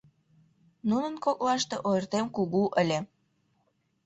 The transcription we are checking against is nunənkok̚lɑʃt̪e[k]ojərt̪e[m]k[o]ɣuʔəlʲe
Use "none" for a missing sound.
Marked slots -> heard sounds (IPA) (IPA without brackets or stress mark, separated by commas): ʔ, m, u